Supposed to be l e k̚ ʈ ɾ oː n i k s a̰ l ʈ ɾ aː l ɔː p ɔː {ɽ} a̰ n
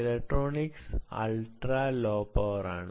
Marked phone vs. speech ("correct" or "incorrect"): incorrect